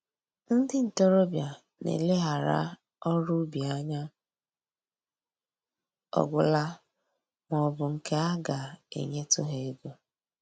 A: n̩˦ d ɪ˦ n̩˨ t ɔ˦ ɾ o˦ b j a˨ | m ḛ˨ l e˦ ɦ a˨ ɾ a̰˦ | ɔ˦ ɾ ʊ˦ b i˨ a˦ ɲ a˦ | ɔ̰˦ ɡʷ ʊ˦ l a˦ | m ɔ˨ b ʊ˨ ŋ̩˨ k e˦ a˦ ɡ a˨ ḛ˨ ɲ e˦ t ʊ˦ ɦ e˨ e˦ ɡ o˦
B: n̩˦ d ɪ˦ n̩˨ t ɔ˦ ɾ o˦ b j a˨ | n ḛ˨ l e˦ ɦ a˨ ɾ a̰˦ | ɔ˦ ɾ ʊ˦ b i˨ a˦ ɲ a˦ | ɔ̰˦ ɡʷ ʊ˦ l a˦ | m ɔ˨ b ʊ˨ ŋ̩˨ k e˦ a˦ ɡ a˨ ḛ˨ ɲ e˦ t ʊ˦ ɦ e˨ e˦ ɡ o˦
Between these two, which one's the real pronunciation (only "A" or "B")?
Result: B